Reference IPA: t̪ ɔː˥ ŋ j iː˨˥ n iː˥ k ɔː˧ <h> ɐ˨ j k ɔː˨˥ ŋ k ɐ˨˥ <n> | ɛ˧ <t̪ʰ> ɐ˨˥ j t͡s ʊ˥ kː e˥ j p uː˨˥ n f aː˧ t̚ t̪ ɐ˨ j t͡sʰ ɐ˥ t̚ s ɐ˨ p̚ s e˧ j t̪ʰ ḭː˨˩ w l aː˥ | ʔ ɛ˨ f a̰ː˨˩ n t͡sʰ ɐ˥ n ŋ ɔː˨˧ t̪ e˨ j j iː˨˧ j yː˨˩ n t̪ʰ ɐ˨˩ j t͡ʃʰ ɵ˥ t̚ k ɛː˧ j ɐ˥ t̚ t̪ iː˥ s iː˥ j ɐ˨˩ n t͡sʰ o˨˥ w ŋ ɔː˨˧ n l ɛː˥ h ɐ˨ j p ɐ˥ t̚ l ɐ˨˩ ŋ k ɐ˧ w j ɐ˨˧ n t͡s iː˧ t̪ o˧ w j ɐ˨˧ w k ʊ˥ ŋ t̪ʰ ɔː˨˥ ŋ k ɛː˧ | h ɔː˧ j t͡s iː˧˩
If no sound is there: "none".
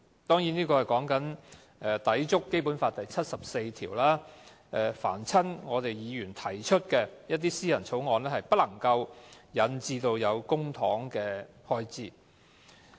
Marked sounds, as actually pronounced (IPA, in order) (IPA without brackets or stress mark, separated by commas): h, n, t̪